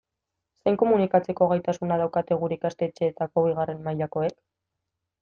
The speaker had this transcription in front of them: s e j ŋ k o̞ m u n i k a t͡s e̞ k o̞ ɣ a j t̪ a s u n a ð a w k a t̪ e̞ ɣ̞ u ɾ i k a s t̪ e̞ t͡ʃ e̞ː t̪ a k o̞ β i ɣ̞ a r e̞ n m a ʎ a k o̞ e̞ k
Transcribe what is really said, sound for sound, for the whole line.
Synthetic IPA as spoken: s e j ŋ k o̞ m u n i k a t͡s e̞ k o̞ ɣ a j t̪ a s u n a ð a w k a t̪ e̞ ɣ̞ u ɾ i k a s t̪ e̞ t͡ʃ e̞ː t̪ a k o̞ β i ɣ̞ a r e̞ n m a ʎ a k o̞ e̞ k